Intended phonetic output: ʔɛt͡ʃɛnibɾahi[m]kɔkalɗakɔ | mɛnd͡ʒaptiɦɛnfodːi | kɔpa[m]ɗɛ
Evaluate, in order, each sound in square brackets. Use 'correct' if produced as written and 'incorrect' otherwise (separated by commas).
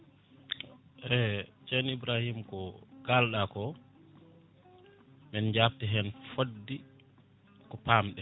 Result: correct, correct